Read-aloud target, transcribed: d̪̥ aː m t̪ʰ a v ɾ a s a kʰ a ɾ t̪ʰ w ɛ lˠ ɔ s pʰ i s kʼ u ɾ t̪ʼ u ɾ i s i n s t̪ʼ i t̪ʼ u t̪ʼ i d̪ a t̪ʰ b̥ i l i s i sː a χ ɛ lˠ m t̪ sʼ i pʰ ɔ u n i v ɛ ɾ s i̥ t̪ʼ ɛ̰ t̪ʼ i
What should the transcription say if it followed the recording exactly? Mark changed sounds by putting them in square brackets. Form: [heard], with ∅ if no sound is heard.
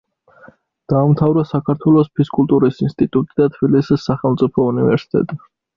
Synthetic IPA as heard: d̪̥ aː m t̪ʰ a v ɾ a s a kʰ a ɾ t̪ʰ w ɛ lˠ ɔ s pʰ i s kʼ u [l] t̪ʼ u ɾ i s i n s t̪ʼ i t̪ʼ u t̪ʼ i d̪ a t̪ʰ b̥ i l i s i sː a χ ɛ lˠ m t̪ sʼ i pʰ ɔ u n i v ɛ ɾ s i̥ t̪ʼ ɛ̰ t̪ʼ i

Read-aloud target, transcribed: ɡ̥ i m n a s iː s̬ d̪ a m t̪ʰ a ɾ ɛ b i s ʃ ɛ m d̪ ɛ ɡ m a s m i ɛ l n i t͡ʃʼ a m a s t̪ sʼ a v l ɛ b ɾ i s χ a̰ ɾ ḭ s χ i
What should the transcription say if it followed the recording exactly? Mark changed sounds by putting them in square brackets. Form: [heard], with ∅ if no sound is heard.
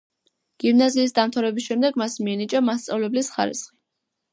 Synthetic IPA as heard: ɡ̥ i m n a [z] iː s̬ d̪ a m t̪ʰ a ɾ ɛ b i s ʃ ɛ m d̪ ɛ ɡ m a s m i ɛ [∅] n i t͡ʃʼ a m a s t̪ sʼ a v l ɛ b [l] i s χ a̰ ɾ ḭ s χ i

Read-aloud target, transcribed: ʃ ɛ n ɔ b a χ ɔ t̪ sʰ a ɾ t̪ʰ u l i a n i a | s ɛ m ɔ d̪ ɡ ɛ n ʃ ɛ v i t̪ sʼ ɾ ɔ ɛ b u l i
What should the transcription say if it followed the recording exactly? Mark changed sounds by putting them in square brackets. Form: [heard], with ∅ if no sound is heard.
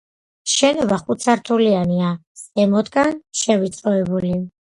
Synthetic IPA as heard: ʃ ɛ n ɔ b a χ [u] t̪ sʰ a ɾ t̪ʰ u l i a n i a | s ɛ m ɔ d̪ ɡ [a] n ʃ ɛ v i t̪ sʼ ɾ ɔ ɛ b u l i

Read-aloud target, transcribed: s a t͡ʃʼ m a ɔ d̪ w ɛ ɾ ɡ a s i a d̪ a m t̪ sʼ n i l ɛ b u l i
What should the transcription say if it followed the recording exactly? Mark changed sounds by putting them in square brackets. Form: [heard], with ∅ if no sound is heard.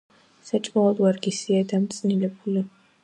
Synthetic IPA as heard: s a t͡ʃʼ m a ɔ d̪ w [a] ɾ ɡ [i] s i a d̪ a m t̪ sʼ n i l ɛ b u l i

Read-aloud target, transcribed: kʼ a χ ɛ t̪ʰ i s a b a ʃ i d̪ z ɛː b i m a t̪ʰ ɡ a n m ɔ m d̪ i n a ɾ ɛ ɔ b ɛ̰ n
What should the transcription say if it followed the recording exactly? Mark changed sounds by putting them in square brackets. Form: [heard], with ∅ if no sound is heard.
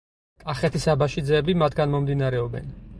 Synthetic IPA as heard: kʼ a χ ɛ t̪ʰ i s a b a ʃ i d̪ z ɛː b i m a t̪ʰ ɡ a n m ɔ m d̪ i n a ɾ ɛ ɔ b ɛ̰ n

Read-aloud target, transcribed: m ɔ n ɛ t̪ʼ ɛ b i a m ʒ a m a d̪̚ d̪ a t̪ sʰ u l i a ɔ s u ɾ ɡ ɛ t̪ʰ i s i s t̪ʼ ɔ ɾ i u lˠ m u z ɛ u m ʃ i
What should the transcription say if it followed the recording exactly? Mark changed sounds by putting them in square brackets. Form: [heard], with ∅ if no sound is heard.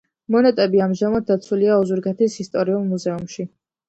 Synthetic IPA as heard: m ɔ n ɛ t̪ʼ ɛ b i a m ʒ a m a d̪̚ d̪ a t̪ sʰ u l i a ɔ [z] u ɾ ɡ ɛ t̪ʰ i s i s t̪ʼ ɔ ɾ i u lˠ m u z ɛ u m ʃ i

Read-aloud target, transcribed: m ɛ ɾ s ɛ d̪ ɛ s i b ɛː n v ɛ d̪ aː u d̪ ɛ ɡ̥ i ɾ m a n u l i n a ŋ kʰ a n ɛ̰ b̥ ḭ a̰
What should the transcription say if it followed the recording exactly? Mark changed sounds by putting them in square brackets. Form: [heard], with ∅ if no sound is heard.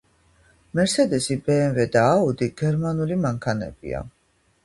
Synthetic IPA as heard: m ɛ ɾ s ɛ d̪ ɛ s i b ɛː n v ɛ d̪ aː u d̪ [i] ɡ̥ [ɛ] ɾ m a n u l i [m] a ŋ kʰ a n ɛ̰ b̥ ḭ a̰

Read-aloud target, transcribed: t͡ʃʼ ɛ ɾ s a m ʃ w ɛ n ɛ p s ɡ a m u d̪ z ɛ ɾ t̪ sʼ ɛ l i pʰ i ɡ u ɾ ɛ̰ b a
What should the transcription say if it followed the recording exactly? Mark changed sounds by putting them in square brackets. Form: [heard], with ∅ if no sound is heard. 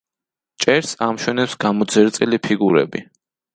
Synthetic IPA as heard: t͡ʃʼ ɛ ɾ s a m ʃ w ɛ n ɛ p s ɡ a m [ɔ] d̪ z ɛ ɾ t̪ sʼ [i] l i pʰ i ɡ u ɾ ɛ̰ b [i]

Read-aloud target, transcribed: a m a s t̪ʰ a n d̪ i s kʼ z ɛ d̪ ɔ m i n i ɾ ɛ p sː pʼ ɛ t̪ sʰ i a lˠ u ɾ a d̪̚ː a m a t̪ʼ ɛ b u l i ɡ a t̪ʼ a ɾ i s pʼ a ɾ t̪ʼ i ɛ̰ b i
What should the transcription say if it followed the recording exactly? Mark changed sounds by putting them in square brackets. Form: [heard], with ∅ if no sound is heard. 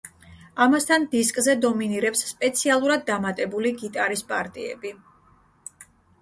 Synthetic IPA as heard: a m a s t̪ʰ a n d̪ i s kʼ z ɛ d̪ ɔ m i n i ɾ ɛ p sː pʼ ɛ t̪ sʰ i a lˠ u ɾ a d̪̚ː a m a t̪ʼ ɛ b u l i ɡ [i] t̪ʼ a ɾ i s pʼ a ɾ t̪ʼ i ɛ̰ b i

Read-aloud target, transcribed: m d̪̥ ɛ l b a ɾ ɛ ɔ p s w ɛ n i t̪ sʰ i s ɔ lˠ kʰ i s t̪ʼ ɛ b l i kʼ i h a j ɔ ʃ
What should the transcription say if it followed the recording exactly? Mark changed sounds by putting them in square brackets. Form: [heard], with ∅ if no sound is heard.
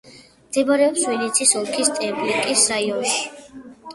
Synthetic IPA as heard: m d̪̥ ɛ [∅] b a ɾ ɛ ɔ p s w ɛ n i t̪ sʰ i s ɔ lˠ kʰ i s t̪ʼ ɛ b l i kʼ i [s] a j ɔ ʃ

